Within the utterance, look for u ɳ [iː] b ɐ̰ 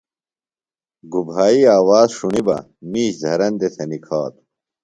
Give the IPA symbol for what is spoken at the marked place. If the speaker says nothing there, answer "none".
i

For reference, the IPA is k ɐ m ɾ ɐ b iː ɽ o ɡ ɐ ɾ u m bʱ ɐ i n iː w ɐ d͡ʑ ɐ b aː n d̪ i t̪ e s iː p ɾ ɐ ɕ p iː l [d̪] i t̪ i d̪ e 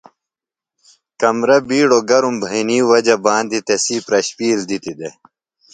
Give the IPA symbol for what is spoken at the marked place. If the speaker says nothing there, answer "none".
d̪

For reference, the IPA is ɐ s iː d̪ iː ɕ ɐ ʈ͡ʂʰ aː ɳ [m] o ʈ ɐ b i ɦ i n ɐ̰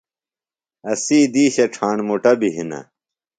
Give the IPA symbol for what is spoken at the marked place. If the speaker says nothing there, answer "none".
m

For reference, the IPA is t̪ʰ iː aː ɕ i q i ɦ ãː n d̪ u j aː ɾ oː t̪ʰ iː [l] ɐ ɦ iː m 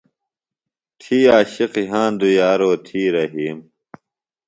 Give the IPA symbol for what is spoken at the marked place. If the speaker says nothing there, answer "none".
ɾ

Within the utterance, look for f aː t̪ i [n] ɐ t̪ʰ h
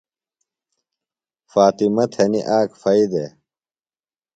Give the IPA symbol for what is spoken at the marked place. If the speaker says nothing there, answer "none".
m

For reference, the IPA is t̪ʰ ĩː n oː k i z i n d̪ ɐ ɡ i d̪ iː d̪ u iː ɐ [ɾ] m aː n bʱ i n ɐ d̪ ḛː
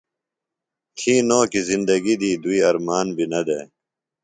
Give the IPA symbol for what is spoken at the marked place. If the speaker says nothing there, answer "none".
ɾ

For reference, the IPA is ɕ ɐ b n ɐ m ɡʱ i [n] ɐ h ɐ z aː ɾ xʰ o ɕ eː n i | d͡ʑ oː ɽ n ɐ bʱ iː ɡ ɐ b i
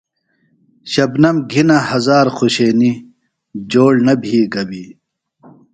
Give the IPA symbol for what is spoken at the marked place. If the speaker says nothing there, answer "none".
n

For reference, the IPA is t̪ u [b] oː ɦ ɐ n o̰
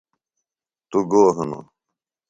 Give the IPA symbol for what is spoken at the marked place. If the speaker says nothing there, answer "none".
ɡ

